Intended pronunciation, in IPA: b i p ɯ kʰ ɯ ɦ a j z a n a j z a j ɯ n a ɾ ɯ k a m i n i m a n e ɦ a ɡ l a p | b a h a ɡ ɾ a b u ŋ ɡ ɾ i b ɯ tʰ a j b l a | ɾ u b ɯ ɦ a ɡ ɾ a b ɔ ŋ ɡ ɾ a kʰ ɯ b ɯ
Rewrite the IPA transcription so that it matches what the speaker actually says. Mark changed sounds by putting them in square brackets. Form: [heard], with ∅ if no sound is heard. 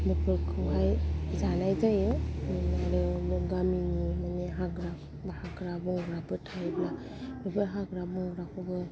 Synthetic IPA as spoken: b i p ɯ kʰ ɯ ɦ a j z a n a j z a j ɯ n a ɾ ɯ [ɡ] a m i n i m a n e ɦ a ɡ [ɾ] a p | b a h a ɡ ɾ a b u ŋ ɡ ɾ [a] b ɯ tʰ a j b l a | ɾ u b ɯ ɦ a ɡ ɾ a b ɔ ŋ ɡ ɾ a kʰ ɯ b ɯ